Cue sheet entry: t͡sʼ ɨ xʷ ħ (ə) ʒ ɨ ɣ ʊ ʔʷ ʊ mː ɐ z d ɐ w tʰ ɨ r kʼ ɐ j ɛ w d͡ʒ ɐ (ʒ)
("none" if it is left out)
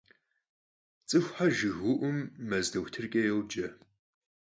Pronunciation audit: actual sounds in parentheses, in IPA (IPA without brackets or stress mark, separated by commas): a, none